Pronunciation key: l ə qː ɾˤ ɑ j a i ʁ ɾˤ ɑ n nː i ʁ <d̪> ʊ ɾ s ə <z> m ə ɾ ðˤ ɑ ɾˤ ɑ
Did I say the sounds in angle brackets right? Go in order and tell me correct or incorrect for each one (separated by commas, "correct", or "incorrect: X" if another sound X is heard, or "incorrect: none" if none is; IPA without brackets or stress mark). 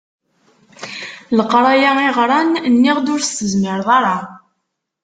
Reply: correct, correct